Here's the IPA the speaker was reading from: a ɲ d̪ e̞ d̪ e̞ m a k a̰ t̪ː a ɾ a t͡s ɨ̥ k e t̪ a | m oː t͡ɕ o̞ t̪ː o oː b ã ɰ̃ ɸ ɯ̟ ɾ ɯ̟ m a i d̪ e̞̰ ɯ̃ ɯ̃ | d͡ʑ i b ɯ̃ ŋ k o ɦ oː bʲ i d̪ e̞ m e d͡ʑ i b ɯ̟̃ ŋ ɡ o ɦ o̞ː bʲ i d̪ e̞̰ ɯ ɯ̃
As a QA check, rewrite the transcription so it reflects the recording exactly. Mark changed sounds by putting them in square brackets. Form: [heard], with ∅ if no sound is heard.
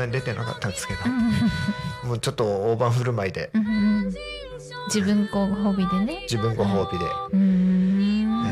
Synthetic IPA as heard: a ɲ d̪ e̞ [t̪] e̞ [n] a k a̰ t̪ː a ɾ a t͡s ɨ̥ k e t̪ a | m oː t͡ɕ o̞ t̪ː o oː b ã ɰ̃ ɸ ɯ̟ ɾ ɯ̟ m a i d̪ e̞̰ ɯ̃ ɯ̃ | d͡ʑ i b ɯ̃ ŋ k o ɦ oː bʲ i d̪ e̞ [n] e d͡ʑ i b ɯ̟̃ ŋ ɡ o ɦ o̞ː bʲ i d̪ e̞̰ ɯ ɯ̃